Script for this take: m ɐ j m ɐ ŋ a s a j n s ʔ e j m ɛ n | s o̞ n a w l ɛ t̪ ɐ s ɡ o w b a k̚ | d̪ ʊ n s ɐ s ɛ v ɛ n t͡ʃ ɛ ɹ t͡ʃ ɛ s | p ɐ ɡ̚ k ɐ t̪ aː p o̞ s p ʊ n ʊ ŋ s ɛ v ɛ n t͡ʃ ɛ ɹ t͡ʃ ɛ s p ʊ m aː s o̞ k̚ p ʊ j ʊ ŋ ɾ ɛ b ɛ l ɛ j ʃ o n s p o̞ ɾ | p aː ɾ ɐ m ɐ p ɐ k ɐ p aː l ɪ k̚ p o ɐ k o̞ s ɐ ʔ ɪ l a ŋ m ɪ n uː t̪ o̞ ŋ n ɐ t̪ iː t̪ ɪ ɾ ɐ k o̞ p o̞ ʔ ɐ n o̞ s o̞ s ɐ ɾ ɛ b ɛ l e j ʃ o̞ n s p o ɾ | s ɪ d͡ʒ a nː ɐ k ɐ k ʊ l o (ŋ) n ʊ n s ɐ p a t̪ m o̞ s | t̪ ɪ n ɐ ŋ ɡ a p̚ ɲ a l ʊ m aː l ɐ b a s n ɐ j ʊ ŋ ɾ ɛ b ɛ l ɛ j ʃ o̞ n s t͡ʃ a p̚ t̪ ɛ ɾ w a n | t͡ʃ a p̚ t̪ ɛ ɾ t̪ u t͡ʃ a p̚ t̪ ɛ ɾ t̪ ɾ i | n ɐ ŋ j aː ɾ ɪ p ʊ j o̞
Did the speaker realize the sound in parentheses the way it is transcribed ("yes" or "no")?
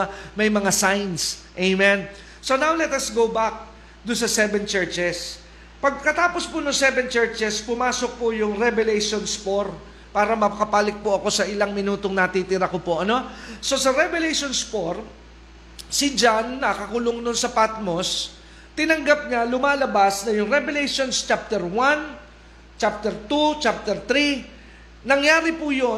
yes